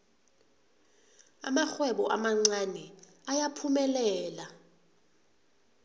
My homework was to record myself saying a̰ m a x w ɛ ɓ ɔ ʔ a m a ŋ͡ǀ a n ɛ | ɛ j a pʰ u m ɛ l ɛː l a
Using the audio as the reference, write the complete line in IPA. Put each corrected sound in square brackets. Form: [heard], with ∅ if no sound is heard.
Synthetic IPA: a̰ m a x w ɛ ɓ ɔ ʔ a m a ŋ͡ǀ a n ɛ | [a] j a pʰ u m ɛ l ɛː l a